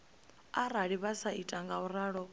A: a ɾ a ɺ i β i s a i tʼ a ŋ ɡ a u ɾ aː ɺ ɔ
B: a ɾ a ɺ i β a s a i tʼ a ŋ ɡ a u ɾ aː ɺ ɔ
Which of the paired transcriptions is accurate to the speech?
B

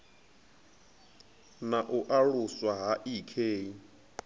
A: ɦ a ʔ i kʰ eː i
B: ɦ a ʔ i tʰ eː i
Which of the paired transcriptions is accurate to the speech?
A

